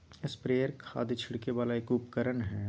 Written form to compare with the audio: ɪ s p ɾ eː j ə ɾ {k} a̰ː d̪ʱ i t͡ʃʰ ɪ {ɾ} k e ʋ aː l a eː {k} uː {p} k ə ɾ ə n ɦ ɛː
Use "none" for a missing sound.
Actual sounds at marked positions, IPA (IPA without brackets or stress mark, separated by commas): kʰ, ɽ, k, p